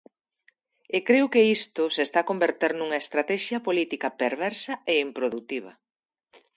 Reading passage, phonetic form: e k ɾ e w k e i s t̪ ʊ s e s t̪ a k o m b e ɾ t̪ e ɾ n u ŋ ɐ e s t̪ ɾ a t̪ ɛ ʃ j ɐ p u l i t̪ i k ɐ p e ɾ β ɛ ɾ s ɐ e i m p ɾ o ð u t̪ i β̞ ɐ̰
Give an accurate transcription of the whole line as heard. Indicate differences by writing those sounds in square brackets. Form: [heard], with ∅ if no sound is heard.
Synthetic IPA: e k ɾ e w k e i s t̪ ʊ s e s t̪ a k o m b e ɾ t̪ e ɾ n u ŋ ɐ e s t̪ ɾ a t̪ ɛ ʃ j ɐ p [o] l i t̪ i k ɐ p e ɾ β ɛ ɾ s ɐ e i m p ɾ o ð u t̪ i β̞ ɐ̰